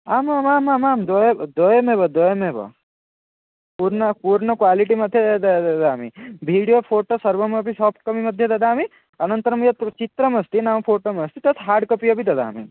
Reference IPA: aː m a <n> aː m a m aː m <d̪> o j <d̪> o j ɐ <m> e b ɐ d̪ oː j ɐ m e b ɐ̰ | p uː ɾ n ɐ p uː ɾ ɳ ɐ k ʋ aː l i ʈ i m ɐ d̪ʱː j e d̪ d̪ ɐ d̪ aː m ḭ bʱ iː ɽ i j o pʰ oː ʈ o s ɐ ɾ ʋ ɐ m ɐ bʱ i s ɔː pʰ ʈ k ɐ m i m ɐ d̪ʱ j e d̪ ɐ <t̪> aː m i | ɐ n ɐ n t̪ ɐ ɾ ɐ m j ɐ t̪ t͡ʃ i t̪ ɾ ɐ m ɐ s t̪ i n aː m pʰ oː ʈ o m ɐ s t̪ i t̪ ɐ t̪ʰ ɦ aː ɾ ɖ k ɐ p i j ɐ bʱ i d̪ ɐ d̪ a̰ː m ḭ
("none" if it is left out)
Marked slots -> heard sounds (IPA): m, d̪, d̪, m, d̪

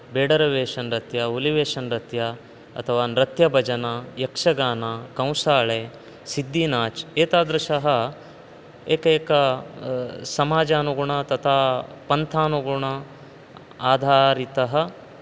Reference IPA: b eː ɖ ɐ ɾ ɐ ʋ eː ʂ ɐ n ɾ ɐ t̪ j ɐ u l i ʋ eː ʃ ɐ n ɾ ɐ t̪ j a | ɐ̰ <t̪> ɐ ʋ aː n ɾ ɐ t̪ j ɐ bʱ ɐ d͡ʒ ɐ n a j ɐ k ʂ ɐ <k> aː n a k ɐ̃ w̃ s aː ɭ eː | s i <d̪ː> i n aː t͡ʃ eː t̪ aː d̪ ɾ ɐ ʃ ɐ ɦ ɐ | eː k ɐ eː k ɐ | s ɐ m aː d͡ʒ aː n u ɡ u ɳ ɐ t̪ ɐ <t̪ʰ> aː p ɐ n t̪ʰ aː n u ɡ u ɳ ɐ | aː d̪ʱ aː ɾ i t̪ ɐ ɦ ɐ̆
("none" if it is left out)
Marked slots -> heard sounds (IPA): t̪ʰ, ɡ, d̪ː, t̪ʰ

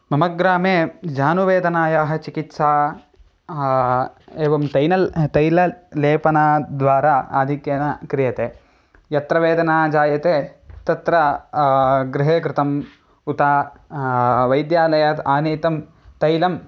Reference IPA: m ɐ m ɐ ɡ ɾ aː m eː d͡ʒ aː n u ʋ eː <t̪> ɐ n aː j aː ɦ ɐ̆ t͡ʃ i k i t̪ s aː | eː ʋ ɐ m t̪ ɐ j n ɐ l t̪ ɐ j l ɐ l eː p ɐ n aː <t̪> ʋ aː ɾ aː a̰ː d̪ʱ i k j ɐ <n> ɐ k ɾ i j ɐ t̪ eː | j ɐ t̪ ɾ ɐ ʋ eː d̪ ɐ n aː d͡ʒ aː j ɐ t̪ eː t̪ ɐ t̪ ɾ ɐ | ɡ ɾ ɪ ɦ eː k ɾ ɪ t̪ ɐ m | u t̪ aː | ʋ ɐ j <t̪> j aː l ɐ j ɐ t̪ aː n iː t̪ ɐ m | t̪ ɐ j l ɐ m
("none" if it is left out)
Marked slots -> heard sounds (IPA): d̪, d̪, n, d̪

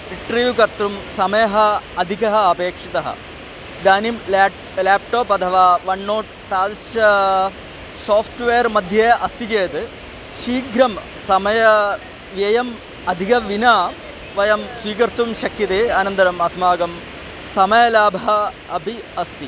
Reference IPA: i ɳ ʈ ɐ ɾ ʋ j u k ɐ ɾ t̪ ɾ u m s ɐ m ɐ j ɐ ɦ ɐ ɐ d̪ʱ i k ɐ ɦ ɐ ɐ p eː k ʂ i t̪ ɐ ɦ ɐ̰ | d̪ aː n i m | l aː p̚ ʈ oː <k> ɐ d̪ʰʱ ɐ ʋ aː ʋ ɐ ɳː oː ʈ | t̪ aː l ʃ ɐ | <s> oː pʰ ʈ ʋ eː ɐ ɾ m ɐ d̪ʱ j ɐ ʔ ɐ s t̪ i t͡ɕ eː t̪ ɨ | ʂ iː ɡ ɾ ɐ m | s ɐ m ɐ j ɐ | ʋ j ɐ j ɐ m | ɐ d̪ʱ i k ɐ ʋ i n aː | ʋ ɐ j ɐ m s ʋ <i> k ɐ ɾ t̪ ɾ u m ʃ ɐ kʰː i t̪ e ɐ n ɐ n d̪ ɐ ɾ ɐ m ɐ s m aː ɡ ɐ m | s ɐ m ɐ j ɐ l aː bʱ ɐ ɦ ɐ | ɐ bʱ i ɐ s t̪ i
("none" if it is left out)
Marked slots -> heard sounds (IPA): p, s, iː

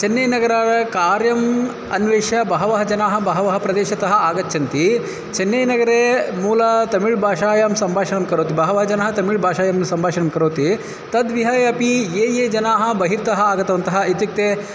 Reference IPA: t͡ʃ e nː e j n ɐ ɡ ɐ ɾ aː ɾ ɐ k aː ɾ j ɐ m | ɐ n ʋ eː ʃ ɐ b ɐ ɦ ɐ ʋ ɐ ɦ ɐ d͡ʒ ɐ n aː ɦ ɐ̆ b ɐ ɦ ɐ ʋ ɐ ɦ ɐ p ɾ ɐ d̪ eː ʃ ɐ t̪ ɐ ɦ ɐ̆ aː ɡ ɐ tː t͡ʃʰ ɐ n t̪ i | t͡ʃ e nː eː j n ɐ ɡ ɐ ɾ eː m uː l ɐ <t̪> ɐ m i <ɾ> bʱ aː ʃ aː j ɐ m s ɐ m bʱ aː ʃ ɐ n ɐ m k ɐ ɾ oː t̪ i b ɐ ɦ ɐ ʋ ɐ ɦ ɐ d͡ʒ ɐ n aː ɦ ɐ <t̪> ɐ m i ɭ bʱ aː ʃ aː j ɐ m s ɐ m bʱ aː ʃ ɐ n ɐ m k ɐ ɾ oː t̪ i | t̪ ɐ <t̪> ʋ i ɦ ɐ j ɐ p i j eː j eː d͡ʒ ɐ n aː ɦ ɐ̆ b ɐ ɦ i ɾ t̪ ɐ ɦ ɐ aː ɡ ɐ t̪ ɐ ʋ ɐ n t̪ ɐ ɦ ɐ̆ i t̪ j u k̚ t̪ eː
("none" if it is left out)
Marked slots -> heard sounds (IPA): t̪, ɭ, t̪, d̪

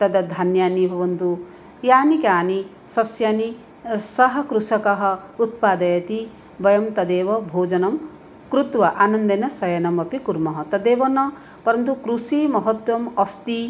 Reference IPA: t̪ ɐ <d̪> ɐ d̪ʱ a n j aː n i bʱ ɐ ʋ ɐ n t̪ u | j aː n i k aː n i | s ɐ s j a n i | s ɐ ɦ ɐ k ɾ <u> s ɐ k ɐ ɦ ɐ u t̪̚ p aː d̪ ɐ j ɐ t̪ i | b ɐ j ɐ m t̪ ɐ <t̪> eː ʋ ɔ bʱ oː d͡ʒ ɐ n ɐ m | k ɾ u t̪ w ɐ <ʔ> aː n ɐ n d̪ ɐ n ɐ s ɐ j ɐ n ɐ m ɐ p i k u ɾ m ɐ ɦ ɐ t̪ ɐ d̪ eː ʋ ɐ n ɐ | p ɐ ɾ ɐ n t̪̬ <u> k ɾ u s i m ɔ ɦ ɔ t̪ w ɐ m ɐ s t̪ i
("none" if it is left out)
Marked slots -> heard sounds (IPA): d̪, u, d̪, ʔ, u

